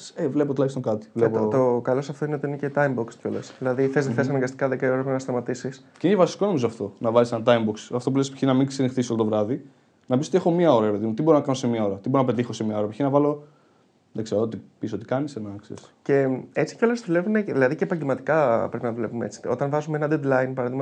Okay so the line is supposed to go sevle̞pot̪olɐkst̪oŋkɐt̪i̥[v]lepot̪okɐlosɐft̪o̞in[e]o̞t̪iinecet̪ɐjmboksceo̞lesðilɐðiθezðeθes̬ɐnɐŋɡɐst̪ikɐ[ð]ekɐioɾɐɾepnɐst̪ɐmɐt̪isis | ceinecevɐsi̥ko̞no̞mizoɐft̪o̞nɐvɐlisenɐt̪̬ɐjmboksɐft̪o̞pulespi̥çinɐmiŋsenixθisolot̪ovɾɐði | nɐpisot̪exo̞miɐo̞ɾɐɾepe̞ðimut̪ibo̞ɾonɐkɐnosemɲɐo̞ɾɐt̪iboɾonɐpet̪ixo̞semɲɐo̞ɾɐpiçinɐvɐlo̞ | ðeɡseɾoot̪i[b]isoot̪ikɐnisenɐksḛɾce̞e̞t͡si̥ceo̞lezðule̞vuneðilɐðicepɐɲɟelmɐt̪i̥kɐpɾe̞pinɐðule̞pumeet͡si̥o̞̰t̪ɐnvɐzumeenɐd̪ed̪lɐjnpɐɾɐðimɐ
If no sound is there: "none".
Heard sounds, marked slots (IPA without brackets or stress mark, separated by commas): v, e, ð, p